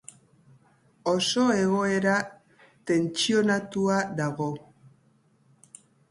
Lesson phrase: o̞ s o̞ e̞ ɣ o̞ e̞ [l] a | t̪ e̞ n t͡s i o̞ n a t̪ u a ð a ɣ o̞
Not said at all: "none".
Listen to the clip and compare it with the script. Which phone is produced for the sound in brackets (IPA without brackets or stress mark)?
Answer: ɾ